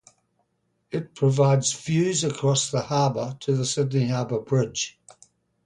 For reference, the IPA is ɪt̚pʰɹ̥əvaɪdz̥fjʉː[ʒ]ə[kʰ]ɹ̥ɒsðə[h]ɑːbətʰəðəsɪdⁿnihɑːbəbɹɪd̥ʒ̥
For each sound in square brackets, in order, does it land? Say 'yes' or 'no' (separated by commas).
no, yes, yes